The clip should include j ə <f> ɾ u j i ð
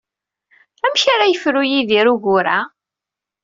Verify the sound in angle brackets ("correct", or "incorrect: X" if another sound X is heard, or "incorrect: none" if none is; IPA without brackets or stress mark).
correct